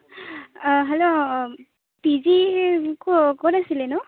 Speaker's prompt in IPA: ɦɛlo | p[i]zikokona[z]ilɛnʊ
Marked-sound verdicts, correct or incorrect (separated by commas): correct, incorrect